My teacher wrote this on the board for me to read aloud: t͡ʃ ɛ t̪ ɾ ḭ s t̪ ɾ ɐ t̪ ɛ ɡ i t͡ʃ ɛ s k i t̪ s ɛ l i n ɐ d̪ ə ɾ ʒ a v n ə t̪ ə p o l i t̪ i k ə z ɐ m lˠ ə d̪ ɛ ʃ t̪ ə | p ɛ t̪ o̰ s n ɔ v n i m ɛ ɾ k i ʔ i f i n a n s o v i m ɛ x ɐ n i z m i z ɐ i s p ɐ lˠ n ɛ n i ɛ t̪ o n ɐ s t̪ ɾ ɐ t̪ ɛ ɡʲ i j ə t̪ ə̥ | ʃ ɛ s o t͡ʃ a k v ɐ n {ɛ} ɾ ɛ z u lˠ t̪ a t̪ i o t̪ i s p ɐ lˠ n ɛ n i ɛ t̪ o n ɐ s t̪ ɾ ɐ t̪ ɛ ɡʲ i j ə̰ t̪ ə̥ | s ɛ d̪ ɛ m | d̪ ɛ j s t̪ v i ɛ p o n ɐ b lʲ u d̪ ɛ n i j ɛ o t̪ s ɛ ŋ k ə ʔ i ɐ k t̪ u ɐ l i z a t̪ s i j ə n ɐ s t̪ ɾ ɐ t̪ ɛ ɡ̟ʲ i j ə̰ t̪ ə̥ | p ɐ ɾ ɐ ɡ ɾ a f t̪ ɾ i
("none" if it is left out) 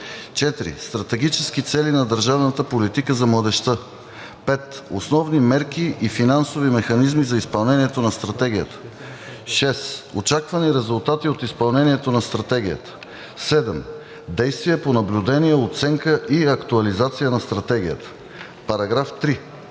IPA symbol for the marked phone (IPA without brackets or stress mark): i